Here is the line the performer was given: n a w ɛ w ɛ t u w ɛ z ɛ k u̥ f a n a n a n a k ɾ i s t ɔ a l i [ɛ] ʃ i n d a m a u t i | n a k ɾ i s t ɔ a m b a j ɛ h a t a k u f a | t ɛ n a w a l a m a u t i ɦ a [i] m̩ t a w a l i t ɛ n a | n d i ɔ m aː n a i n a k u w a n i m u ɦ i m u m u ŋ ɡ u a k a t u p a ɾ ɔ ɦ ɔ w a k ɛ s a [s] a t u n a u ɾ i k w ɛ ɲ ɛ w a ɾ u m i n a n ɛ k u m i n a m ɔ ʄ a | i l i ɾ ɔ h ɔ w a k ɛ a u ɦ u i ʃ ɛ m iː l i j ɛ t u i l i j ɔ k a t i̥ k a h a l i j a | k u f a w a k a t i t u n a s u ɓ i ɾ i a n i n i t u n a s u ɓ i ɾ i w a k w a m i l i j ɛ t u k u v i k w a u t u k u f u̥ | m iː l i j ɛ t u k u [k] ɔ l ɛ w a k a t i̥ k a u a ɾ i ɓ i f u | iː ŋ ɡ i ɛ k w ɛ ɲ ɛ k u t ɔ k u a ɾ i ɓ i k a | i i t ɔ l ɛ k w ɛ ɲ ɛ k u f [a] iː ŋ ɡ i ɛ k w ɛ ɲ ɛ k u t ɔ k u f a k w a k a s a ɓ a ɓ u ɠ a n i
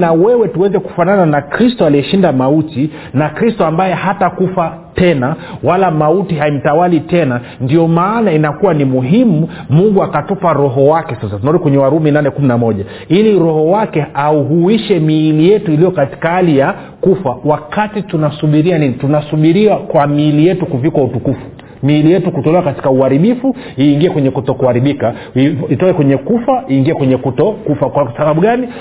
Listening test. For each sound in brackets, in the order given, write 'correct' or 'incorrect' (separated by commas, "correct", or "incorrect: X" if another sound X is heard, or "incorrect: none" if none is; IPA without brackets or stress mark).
correct, correct, correct, incorrect: t, correct